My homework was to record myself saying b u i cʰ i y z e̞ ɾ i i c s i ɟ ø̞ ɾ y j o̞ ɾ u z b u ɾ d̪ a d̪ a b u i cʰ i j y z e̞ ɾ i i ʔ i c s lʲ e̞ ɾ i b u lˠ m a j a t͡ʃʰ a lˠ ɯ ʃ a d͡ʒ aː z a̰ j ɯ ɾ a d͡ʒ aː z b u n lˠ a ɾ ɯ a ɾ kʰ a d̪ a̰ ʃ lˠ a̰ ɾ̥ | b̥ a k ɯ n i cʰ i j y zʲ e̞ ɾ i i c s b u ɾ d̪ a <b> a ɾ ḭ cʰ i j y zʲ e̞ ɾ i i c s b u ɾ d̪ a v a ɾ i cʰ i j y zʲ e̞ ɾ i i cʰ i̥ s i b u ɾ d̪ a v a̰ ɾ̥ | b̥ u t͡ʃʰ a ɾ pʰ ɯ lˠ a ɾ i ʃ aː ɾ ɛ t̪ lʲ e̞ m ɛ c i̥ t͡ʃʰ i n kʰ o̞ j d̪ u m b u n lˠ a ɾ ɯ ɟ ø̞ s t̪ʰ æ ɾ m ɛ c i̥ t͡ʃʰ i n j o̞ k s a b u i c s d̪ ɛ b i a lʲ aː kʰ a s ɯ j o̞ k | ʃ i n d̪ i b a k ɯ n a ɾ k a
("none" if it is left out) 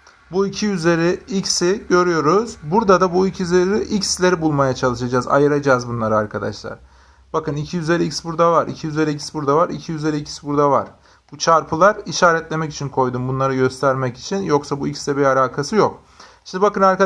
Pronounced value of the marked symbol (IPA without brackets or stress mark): v